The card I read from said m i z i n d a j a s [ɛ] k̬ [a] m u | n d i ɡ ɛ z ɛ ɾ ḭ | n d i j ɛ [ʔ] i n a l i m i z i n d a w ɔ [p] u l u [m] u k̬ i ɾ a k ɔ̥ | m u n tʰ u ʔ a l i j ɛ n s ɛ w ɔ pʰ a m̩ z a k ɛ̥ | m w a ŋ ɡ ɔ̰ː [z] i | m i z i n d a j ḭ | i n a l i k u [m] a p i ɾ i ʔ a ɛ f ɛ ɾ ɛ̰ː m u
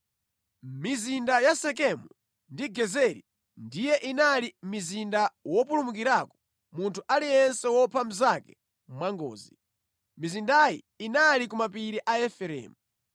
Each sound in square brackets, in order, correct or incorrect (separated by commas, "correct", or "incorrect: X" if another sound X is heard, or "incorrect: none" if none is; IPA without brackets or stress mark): correct, incorrect: ɛ, correct, correct, correct, correct, correct